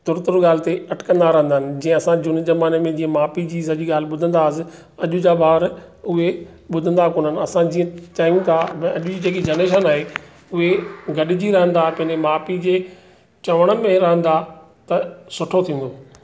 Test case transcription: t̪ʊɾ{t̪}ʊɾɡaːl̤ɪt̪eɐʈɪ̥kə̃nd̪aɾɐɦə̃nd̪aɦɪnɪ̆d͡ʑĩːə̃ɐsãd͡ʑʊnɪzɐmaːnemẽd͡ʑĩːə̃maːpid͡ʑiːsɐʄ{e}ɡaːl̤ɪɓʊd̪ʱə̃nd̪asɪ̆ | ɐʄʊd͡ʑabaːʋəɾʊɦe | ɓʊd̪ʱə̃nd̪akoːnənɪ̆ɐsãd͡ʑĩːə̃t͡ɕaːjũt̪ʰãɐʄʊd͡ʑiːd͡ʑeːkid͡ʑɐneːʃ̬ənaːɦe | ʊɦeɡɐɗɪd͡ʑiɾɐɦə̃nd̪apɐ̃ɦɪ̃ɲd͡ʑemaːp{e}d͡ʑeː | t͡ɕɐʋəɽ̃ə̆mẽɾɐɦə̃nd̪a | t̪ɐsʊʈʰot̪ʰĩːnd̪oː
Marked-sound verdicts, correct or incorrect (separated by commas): correct, incorrect, incorrect